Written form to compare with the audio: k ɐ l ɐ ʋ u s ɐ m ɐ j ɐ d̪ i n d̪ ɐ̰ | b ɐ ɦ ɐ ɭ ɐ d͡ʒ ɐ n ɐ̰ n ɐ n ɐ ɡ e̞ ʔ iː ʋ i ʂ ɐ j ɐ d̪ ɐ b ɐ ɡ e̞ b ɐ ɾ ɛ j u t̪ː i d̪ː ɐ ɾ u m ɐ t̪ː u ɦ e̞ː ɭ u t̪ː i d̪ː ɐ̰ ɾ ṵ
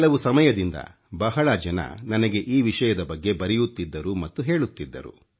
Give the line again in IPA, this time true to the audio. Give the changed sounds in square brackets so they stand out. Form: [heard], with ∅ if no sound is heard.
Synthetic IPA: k ɐ l ɐ ʋ u s ɐ m ɐ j ɐ d̪ i n d̪ ɐ̰ | b ɐ ɦ ɐ ɭ ɐ d͡ʒ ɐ n ɐ̰ n ɐ n ɐ ɡ e̞ ʔ iː ʋ i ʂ ɐ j ɐ d̪ ɐ b ɐ [ɡː] e̞ b ɐ ɾ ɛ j u t̪ː i d̪ː ɐ ɾ u m ɐ t̪ː u ɦ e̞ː ɭ u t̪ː i d̪ː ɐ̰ ɾ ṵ